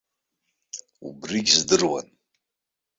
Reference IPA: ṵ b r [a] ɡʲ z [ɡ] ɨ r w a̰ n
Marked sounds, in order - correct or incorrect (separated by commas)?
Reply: incorrect, incorrect